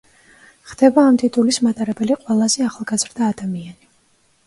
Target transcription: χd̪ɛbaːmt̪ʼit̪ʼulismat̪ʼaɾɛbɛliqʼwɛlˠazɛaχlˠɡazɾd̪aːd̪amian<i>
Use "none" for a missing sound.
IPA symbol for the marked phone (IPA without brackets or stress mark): i